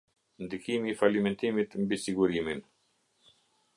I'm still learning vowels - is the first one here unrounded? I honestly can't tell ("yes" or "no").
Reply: yes